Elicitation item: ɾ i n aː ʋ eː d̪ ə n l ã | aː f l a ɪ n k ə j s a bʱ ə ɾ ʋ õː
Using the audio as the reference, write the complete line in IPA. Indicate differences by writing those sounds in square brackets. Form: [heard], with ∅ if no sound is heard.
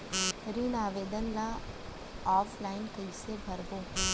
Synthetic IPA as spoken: ɾ i n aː ʋ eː d̪ ə n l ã | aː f l a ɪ n k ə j s [e] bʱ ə ɾ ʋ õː